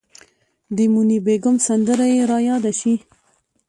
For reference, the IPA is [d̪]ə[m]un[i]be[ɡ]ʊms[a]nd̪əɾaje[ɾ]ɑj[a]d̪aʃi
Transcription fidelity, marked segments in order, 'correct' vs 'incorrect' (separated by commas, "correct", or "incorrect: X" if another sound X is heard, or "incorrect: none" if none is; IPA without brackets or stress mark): correct, correct, correct, correct, correct, correct, incorrect: ɑ